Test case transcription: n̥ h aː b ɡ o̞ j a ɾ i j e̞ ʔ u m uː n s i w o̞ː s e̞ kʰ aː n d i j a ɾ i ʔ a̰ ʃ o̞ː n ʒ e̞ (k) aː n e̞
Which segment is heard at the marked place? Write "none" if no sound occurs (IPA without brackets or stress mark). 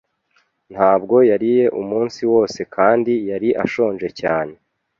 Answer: c